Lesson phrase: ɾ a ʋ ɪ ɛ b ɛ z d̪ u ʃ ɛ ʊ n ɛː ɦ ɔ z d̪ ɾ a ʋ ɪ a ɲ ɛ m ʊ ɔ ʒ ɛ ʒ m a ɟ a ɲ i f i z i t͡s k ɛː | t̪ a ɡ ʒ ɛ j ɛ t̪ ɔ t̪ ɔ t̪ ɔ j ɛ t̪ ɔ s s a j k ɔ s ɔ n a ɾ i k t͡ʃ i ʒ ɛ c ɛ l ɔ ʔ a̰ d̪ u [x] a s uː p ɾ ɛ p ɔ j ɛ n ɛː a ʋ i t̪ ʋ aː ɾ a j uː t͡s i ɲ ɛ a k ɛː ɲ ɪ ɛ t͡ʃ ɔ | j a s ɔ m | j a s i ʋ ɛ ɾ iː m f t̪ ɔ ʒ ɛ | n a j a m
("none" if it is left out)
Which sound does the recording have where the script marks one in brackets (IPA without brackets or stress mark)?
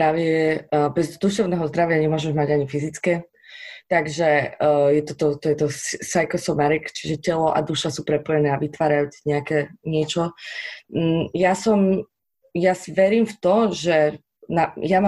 ʃ